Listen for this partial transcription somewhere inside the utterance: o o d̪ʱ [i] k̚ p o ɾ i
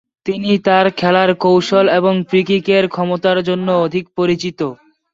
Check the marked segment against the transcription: correct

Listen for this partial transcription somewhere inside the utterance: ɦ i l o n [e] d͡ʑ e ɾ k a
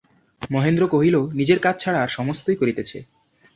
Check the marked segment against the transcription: incorrect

